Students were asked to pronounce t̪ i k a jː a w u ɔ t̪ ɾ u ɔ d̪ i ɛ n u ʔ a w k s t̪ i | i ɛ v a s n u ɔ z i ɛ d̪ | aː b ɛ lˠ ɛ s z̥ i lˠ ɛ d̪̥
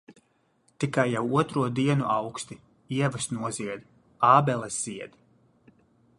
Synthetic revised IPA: t̪ i k a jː a w u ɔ t̪ ɾ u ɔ d̪ i ɛ n u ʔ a w k s t̪ i | i ɛ v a s n u ɔ z i ɛ d̪ | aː b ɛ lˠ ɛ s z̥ i ɛ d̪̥